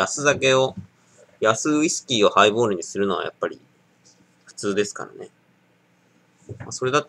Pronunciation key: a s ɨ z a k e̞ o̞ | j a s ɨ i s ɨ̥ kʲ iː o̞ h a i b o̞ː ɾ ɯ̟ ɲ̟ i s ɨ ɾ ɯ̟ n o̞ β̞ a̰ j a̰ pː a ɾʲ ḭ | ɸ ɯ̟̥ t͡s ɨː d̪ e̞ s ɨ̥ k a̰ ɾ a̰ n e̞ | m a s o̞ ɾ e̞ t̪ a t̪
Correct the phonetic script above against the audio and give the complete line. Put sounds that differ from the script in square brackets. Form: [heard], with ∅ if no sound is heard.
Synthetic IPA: a s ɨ z a k e̞ o̞ | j a s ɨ i s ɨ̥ kʲ iː o̞ h a i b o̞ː ɾ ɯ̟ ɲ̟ i s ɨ ɾ ɯ̟ n o̞ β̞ a̰ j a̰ pː a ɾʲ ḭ | ɸ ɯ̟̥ t͡s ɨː d̪ e̞ s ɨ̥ k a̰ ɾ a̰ n e̞ | m a s o̞ ɾ e̞ [d̪] a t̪